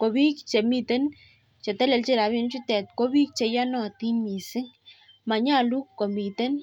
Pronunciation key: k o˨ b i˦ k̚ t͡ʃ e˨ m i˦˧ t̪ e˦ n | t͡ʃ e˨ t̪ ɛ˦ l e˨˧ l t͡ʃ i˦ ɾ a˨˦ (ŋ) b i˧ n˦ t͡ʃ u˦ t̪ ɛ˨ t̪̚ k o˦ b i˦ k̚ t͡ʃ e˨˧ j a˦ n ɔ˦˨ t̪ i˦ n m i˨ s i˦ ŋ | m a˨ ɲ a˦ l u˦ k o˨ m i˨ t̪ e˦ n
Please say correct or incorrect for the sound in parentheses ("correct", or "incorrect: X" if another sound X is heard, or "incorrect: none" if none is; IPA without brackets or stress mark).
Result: incorrect: none